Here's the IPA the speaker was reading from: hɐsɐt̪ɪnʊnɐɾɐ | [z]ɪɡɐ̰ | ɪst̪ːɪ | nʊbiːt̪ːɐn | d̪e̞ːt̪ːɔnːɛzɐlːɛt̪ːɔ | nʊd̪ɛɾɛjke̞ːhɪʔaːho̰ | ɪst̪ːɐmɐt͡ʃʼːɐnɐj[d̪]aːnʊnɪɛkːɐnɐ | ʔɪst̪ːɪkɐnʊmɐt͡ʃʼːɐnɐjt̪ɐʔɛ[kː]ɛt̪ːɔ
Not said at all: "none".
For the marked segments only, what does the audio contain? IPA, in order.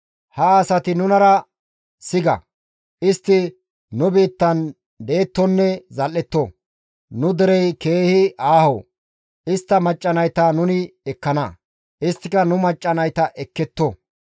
s, t̪, kː

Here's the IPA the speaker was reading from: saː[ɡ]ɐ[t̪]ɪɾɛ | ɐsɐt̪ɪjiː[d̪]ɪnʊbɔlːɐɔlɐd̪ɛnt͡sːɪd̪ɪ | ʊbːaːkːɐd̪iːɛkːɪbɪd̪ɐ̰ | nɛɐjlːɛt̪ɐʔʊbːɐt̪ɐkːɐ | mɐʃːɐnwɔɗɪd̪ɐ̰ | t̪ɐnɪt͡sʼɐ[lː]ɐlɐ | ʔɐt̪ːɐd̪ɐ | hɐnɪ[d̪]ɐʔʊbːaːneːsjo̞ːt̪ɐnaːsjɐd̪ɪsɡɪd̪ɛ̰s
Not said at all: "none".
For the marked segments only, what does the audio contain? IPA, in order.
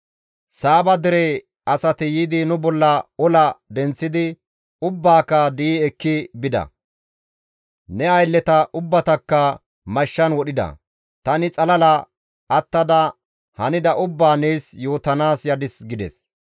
b, d̪, d̪, l, d̪

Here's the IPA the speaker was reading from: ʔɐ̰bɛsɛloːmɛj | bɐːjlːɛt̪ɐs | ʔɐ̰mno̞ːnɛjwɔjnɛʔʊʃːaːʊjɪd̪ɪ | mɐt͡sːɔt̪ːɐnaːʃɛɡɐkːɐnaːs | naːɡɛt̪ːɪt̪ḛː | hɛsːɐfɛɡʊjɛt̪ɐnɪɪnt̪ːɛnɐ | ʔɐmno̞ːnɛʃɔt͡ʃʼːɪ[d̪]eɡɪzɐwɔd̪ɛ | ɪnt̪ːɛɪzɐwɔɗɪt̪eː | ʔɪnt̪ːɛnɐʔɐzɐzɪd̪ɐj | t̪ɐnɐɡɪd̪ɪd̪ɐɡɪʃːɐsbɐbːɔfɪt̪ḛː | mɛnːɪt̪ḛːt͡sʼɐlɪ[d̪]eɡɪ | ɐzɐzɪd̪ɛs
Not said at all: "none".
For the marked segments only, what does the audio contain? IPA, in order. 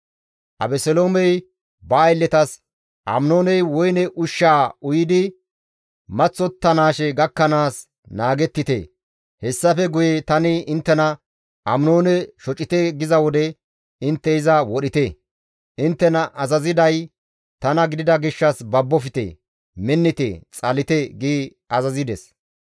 t̪, t̪

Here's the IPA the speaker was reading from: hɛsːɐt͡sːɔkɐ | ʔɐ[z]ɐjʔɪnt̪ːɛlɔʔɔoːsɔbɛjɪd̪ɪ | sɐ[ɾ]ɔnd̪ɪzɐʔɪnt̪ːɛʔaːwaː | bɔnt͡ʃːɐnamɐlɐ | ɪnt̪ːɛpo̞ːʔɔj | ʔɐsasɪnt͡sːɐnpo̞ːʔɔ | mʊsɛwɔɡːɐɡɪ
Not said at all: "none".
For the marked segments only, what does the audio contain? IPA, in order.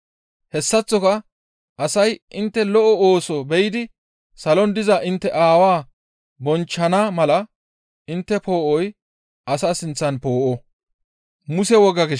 s, l

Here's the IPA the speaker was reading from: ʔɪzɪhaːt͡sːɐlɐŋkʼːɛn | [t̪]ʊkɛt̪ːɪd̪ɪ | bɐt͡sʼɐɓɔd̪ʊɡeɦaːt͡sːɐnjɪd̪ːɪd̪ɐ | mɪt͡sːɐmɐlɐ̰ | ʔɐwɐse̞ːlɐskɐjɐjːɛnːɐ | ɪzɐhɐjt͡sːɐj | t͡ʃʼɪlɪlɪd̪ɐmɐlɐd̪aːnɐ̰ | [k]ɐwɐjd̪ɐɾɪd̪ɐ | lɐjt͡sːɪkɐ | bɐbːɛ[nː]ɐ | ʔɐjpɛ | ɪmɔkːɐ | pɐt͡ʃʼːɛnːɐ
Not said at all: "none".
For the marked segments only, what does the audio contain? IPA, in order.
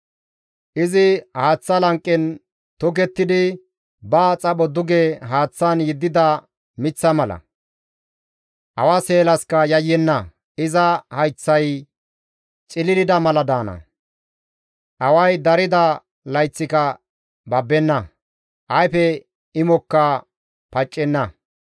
t̪, ʔ, nː

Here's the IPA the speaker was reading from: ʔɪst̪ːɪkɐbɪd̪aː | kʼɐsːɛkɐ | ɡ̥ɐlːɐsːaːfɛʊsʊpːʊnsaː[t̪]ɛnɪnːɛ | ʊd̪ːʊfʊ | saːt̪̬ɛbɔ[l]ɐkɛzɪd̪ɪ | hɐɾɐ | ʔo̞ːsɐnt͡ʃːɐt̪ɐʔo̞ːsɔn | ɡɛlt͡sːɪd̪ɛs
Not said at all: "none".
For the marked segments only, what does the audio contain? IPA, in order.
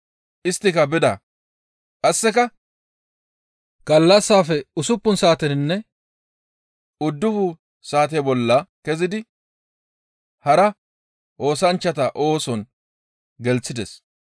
t̪, lː

